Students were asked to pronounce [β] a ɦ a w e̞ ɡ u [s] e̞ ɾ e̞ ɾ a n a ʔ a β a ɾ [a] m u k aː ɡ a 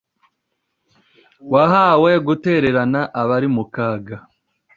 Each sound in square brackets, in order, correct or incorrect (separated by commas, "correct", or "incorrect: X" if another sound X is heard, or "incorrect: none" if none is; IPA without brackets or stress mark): incorrect: w, incorrect: t, incorrect: i